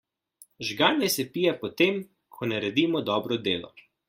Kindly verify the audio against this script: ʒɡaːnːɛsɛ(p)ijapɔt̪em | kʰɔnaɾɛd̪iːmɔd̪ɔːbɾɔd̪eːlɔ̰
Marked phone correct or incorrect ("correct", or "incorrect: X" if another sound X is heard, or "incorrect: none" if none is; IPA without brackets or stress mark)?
correct